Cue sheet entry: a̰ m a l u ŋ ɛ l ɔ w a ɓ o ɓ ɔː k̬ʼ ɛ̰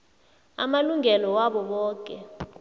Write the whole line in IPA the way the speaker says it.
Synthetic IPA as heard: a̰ m a l u ŋ ɛ l ɔ w a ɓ ɔ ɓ ɔː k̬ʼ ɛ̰